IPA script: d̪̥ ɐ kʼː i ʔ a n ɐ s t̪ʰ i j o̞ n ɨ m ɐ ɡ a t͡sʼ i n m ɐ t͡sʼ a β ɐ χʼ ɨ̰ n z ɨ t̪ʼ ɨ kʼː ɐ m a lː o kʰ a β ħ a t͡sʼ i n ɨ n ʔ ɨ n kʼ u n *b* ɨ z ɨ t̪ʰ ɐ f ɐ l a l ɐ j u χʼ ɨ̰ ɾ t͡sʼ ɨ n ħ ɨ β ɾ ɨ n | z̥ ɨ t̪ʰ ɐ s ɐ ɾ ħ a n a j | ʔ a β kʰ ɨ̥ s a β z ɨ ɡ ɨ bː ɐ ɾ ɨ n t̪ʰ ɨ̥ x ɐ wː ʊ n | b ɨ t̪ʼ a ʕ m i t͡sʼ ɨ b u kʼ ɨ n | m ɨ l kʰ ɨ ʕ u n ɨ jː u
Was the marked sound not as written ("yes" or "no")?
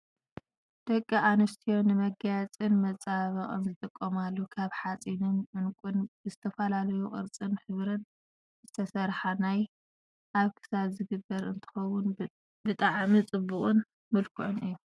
no